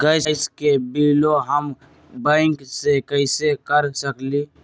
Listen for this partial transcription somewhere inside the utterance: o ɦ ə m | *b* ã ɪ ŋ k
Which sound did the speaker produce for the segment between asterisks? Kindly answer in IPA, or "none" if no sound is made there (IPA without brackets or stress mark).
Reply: b